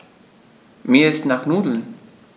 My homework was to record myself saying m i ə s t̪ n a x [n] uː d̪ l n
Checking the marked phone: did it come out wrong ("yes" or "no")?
no